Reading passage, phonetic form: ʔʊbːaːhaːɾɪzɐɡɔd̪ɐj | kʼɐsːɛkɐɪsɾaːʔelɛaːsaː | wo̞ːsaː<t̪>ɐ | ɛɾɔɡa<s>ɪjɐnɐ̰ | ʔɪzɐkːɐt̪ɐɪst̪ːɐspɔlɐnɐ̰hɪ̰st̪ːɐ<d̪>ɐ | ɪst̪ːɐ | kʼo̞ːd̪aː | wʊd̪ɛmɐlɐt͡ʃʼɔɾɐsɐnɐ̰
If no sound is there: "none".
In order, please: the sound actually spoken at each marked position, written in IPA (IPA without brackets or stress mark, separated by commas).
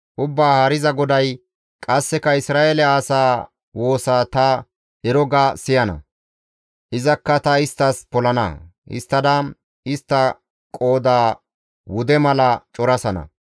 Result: t̪, s, d̪